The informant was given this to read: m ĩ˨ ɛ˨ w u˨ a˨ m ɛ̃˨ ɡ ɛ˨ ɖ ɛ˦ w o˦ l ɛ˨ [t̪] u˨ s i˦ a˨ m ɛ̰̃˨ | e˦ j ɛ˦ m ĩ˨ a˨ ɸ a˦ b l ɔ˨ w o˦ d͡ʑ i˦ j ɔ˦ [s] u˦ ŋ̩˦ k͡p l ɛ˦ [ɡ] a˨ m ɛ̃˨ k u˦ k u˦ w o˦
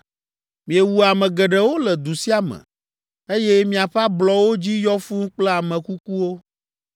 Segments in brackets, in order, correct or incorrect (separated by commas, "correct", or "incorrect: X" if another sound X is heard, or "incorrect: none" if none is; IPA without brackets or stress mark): incorrect: d̪, incorrect: f, incorrect: none